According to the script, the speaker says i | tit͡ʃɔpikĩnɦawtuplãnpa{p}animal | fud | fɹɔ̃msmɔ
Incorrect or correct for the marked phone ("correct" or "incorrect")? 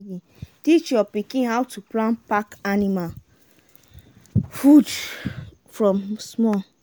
incorrect